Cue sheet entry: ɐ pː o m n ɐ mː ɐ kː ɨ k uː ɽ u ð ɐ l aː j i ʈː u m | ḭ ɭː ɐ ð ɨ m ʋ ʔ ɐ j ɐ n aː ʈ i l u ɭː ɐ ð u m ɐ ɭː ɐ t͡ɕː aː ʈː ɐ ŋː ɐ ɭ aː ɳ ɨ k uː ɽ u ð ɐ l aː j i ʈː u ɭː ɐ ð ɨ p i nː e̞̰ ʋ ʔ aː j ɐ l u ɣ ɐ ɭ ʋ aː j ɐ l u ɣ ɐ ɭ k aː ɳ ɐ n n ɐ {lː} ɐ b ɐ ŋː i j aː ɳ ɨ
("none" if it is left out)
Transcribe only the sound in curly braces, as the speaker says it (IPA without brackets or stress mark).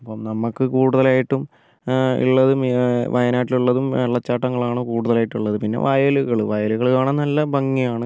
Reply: lː